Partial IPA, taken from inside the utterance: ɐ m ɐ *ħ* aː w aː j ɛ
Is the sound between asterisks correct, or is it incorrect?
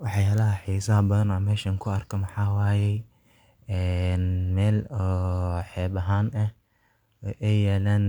correct